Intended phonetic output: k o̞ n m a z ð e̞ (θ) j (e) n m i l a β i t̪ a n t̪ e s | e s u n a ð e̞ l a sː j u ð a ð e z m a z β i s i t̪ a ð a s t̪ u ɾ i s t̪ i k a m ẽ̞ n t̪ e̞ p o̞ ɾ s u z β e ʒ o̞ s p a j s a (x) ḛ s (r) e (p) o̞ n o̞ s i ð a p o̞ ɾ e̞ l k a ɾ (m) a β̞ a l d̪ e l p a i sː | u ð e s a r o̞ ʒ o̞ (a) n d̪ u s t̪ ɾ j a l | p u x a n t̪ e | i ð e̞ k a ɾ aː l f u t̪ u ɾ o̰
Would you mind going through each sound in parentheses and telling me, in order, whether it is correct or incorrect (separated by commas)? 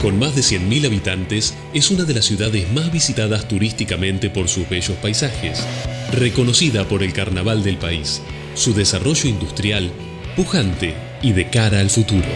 incorrect, correct, correct, correct, incorrect, incorrect, incorrect